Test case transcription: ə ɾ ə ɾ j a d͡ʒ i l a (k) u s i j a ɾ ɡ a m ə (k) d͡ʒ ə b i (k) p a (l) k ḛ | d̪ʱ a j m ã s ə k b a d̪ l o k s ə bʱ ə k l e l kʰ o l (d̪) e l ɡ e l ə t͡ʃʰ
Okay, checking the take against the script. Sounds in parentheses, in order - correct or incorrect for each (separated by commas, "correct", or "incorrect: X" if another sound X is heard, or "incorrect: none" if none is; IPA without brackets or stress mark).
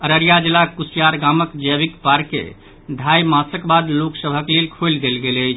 correct, correct, correct, incorrect: ɾ, correct